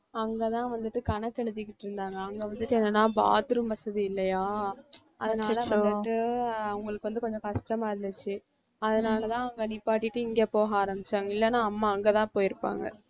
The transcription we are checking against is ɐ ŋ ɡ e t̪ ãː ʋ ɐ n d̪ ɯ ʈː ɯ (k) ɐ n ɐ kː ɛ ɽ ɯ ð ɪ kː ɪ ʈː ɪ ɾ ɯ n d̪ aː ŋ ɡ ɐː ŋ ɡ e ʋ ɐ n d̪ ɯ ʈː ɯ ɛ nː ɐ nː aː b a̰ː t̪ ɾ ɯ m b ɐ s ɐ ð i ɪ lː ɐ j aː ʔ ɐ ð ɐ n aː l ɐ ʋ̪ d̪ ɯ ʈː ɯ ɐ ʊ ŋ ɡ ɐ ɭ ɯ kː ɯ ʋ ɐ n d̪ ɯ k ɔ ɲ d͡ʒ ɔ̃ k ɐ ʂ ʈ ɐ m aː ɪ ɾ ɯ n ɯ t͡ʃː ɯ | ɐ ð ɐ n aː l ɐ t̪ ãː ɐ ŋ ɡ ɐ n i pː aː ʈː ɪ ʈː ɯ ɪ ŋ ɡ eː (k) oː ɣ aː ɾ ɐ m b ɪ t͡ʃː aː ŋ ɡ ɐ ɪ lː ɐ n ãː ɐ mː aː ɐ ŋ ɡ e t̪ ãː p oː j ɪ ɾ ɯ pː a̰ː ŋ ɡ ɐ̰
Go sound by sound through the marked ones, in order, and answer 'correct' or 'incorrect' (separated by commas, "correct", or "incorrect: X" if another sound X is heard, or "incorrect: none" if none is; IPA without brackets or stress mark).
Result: correct, incorrect: p